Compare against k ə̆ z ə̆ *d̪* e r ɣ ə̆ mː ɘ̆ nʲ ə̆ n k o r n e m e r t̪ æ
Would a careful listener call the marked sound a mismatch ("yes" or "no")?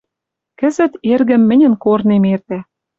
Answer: yes